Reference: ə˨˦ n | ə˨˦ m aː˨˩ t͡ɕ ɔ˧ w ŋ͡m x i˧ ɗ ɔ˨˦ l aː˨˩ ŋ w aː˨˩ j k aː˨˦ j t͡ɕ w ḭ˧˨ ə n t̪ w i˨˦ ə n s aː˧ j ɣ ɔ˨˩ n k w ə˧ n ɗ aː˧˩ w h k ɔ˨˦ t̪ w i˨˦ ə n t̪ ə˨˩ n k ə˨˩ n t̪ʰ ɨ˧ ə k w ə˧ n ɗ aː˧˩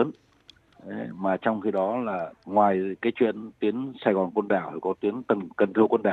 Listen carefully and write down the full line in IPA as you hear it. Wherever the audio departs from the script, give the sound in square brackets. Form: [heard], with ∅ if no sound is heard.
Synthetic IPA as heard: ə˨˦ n | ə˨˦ m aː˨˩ t͡ɕ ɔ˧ w ŋ͡m x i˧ ɗ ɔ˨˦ l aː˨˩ ŋ w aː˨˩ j k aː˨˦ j t͡ɕ w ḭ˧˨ ə n t̪ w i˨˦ ə n s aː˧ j ɣ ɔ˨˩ n k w ə˧ n ɗ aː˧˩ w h k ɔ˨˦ t̪ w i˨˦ ə n t̪ ə˨˩ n k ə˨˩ n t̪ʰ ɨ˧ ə k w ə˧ n ɗ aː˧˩